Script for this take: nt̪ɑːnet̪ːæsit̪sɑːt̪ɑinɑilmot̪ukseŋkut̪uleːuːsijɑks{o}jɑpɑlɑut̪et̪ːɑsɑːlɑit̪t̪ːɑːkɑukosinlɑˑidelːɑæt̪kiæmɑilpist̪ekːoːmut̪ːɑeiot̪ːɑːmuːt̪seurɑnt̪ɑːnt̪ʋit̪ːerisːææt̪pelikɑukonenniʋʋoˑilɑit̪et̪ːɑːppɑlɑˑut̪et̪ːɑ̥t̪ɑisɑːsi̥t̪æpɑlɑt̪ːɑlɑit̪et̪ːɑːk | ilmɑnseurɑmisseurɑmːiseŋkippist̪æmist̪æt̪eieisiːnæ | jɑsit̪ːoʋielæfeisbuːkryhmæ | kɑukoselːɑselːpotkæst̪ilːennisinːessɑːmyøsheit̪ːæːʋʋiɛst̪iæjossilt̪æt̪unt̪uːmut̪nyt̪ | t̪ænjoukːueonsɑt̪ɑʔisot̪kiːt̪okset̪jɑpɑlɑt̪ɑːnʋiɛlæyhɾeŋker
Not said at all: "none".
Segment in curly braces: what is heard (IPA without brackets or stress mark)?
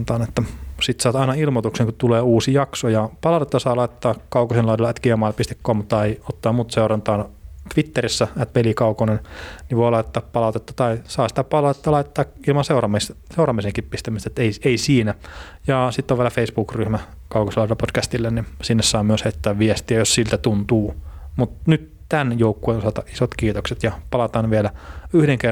o